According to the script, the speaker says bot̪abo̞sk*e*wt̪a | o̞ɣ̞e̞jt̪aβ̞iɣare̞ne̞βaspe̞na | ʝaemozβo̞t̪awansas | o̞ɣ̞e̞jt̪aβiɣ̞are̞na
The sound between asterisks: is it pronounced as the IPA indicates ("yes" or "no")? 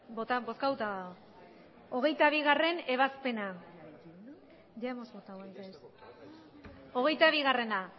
no